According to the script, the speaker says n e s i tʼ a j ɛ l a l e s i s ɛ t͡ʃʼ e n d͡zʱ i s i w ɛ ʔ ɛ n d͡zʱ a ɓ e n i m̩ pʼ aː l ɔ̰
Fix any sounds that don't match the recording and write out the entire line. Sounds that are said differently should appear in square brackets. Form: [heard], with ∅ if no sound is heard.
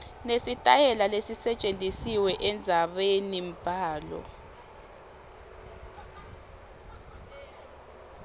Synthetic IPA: n e s i tʼ a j ɛ l a l e s i s ɛ t͡ʃʼ e n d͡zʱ i s i w ɛ ʔ ɛ n d͡zʱ a ɓ e n i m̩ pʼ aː l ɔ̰

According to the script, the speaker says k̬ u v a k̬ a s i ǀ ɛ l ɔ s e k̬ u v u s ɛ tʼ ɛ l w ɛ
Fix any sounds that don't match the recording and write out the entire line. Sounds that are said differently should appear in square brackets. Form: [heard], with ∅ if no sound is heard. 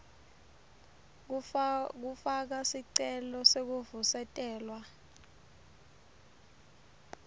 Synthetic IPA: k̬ u [f] a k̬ a s i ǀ ɛ l ɔ s e k̬ u v u s ɛ tʼ [ɛː] l w [a]

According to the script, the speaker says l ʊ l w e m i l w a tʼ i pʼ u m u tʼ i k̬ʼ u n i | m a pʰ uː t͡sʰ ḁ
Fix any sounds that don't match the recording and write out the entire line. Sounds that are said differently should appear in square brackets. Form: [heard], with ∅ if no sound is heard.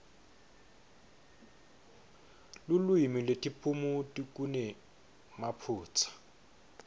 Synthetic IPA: l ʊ l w [i] m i l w [e] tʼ i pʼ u m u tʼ i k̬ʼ u n [ɛ] | m a pʰ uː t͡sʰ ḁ

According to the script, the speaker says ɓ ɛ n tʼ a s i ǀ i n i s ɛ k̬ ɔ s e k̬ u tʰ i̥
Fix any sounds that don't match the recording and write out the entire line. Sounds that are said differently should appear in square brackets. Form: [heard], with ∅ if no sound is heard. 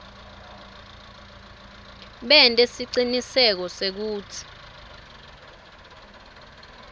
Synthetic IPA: ɓ ɛ n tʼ [e] s i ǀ i n i s ɛ k̬ ɔ s e k̬ [uː] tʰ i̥

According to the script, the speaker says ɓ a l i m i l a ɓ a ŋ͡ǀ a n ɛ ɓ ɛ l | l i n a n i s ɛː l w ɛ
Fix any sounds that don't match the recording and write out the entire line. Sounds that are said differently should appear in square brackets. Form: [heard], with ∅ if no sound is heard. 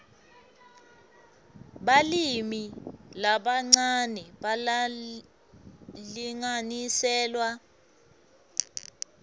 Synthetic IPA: ɓ a l i m i l a ɓ a ŋ͡ǀ a n ɛ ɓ [a] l | l i [ŋ] a n i s ɛː l w [a]

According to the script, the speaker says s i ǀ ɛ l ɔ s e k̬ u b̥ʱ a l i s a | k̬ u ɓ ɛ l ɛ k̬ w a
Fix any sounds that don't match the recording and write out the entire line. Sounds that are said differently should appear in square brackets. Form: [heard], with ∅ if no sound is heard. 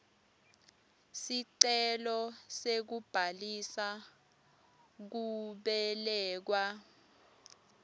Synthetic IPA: s i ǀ ɛ l ɔ s e k̬ u b̥ʱ a l i s a | k̬ u ɓ ɛ l [ɛː] k̬ w a

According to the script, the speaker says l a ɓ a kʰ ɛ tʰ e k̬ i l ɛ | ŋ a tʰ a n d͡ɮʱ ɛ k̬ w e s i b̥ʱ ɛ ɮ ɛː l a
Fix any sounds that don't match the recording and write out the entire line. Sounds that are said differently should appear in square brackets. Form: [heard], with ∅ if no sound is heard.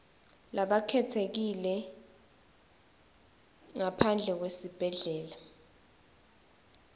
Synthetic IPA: l a ɓ a kʰ ɛ tʰ e k̬ i l ɛ | ŋ a [pʰ] a n d͡ɮʱ ɛ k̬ w e s i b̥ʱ ɛ ɮ ɛː l a

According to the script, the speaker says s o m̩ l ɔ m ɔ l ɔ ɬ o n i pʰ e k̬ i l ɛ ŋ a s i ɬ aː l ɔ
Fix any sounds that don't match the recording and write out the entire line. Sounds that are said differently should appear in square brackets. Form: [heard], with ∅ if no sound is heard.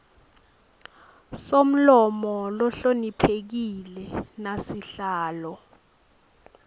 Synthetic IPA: s o m̩ l ɔ m ɔ l ɔ ɬ o n i pʰ e k̬ i l ɛ [n] a s i ɬ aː l ɔ

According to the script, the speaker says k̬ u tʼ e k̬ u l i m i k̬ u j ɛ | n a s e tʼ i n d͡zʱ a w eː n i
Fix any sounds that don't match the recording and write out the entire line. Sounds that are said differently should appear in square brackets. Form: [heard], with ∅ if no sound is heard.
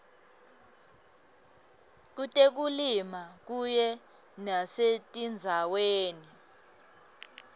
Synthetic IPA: k̬ u tʼ e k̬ u l i m [a] k̬ u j ɛ | n a s e tʼ i n d͡zʱ a w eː n i

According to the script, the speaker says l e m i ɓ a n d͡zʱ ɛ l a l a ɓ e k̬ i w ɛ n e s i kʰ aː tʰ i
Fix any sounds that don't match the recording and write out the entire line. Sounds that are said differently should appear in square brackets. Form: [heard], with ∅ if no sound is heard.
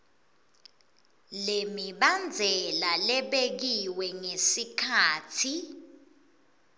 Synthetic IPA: l e m i ɓ a n d͡zʱ ɛ l a l [ɛ] ɓ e k̬ i w ɛ [ŋ] e s i kʰ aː tʰ i

